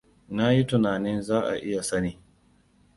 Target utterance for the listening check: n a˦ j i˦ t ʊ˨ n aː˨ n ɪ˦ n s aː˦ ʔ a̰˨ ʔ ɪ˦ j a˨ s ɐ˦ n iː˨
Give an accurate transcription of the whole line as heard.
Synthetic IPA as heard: n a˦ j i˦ t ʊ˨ n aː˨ n ɪ˦ n z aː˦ ʔ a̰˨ ʔ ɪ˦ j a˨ s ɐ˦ n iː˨